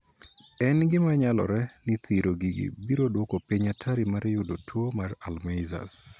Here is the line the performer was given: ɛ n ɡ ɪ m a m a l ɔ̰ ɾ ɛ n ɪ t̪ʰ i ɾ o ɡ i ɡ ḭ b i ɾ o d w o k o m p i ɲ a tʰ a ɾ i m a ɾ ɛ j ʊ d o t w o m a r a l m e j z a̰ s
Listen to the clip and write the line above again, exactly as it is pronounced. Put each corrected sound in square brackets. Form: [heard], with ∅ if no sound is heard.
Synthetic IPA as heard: ɛ n ɡ ɪ m a [ɲ] a l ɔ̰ ɾ ɛ n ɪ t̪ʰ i ɾ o ɡ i ɡ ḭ b i ɾ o d w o k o [∅] p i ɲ a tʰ a ɾ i m a ɾ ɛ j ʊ d o t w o m a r a l m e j z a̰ s